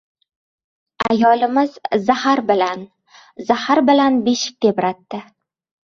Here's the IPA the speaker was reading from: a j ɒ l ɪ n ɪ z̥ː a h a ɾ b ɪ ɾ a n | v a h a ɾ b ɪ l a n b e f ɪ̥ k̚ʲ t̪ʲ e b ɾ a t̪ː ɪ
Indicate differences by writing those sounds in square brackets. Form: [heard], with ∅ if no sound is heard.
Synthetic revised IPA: a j ɒ l ɪ [m] ɪ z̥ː a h a ɾ b ɪ [l] a n | [z] a h a ɾ b ɪ l a n b e [ʃ] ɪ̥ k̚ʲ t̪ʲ e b ɾ a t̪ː ɪ